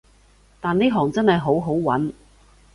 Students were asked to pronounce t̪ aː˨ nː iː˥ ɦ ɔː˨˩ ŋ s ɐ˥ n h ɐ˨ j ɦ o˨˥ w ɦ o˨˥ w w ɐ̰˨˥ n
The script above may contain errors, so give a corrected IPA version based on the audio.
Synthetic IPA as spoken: t̪ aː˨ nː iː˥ ɦ ɔː˨˩ ŋ t͡s ɐ˥ n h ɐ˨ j ɦ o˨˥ w ɦ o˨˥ w w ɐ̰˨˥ n